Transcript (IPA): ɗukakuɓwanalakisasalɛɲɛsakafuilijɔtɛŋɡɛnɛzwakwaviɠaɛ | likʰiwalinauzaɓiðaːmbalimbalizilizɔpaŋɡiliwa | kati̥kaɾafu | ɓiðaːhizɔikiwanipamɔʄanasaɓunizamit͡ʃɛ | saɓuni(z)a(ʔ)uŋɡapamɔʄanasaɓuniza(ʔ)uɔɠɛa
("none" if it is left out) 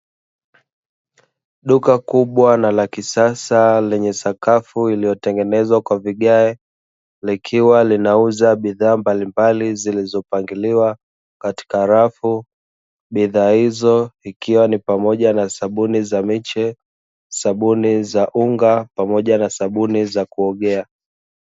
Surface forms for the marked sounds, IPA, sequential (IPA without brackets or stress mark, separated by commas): z, ʔ, k